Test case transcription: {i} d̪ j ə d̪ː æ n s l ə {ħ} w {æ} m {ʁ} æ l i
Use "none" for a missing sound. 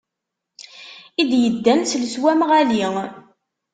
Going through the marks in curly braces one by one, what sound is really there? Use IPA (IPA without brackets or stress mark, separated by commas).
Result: i, s, æ, ʁ